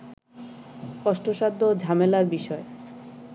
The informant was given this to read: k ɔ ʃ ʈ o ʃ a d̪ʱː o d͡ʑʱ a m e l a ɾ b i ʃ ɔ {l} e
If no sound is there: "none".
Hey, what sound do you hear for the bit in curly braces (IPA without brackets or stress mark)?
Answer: none